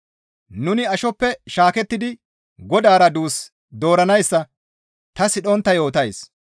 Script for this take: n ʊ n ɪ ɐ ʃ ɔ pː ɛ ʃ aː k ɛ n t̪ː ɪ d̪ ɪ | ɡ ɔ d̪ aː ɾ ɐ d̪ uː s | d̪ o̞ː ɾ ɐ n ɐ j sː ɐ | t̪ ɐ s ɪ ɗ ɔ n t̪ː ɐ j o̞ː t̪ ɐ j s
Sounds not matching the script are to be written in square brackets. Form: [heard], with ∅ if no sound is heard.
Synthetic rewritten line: n ʊ n ɪ ɐ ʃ ɔ pː ɛ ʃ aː k ɛ [∅] t̪ː ɪ d̪ ɪ | ɡ ɔ d̪ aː ɾ ɐ d̪ uː s | d̪ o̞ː ɾ ɐ n ɐ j sː ɐ | t̪ ɐ s ɪ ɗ ɔ n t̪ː ɐ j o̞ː t̪ ɐ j s